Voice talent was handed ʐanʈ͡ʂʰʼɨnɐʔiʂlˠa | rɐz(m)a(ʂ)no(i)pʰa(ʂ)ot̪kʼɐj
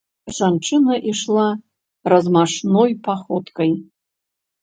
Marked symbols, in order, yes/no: yes, yes, no, no

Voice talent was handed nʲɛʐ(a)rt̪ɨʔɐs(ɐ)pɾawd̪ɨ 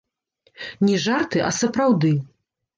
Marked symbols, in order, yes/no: yes, yes

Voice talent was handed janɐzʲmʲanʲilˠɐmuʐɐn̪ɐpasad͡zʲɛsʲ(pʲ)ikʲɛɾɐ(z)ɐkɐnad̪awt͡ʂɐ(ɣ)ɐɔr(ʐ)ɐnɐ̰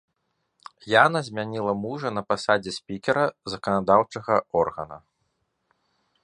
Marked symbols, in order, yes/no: yes, yes, yes, no

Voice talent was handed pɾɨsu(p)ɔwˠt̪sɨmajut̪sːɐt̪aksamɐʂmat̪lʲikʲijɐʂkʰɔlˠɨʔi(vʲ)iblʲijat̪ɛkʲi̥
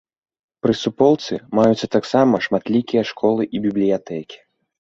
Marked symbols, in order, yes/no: yes, no

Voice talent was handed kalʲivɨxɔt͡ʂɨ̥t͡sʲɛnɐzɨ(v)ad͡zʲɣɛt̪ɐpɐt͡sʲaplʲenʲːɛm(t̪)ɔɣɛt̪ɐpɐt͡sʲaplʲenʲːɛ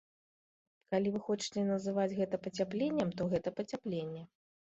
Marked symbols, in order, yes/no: yes, yes

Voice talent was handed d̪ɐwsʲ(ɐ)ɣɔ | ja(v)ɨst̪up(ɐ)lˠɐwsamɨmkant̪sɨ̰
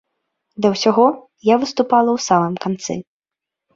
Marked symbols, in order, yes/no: no, yes, no

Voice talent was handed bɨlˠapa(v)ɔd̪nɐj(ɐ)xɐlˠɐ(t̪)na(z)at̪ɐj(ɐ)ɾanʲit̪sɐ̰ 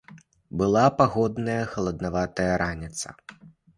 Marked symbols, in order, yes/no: no, yes, no, no, yes

